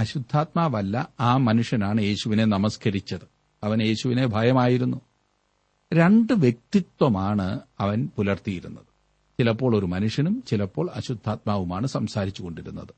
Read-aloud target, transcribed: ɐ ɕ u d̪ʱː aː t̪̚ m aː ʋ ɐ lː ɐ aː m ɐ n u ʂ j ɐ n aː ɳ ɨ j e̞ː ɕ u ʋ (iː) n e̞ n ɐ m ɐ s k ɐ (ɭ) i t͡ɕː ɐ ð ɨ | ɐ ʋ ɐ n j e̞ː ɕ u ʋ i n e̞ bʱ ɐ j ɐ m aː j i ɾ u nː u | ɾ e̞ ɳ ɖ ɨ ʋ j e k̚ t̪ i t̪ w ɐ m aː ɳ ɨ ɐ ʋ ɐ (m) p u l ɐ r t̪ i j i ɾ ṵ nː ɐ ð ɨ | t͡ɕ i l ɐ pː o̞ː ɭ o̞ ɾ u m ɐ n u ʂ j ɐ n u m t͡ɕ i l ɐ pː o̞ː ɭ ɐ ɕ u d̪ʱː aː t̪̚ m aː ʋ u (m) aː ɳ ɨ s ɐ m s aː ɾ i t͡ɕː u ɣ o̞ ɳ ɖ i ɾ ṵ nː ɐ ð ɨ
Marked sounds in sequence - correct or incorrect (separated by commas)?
incorrect, incorrect, incorrect, correct